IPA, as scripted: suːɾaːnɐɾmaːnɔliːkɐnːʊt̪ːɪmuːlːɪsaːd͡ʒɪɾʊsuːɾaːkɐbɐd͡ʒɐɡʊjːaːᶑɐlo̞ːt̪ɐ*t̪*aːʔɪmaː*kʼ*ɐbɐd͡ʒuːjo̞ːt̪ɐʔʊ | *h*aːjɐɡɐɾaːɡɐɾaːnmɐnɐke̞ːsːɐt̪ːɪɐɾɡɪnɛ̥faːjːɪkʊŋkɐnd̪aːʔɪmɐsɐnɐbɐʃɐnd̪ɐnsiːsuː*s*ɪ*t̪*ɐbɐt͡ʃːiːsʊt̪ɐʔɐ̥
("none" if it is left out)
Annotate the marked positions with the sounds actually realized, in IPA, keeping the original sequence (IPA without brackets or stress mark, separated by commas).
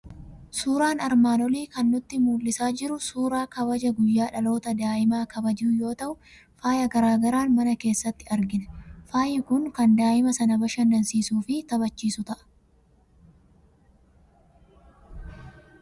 d̪, k, f, f, t̪